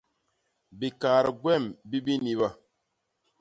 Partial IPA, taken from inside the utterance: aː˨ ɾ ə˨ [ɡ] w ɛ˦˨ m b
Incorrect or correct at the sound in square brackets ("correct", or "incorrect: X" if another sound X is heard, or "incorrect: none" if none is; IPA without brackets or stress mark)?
correct